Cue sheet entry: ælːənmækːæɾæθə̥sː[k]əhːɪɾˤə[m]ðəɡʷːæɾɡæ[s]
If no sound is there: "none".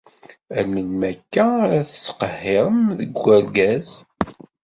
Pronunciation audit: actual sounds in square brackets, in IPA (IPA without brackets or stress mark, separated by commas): q, m, z